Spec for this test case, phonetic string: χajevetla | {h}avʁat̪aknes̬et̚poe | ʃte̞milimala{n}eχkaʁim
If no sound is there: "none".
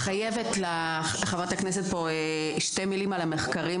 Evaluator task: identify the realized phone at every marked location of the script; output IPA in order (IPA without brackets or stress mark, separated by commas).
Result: χ, m